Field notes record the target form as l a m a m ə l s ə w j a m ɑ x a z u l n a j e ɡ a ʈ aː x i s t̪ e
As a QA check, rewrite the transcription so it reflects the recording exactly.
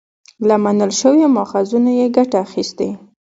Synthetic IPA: l a m a n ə l ʃ ə w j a m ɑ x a z u n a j e ɡ a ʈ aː x i s t̪ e